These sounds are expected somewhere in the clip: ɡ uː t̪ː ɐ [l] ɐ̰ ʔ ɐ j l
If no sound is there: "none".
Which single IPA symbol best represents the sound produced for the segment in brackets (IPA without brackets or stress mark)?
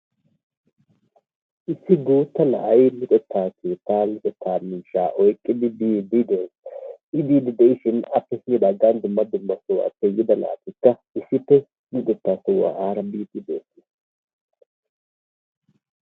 l